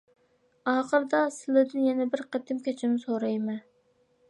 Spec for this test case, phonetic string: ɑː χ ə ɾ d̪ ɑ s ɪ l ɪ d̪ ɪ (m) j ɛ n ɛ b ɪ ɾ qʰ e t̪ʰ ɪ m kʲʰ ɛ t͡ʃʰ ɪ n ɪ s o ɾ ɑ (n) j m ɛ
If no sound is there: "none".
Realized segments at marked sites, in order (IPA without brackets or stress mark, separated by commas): n, none